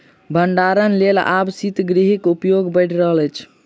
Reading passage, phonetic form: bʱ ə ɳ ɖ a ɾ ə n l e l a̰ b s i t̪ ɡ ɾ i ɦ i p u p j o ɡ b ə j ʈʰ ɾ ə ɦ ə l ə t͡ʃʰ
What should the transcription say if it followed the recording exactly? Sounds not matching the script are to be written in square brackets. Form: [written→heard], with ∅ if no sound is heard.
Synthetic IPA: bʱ ə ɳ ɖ a ɾ ə n l e l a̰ b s i t̪ ɡ ɾ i ɦ i [p→k] u p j o ɡ b ə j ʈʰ ɾ ə ɦ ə l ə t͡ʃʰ